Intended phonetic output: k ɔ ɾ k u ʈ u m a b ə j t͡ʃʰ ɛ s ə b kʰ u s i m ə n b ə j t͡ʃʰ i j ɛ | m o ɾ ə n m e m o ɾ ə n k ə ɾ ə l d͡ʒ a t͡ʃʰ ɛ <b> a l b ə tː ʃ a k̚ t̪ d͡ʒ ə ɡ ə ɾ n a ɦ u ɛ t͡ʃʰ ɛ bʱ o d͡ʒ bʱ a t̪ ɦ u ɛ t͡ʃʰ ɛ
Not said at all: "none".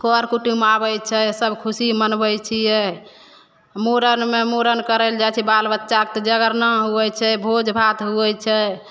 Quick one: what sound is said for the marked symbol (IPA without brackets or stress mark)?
b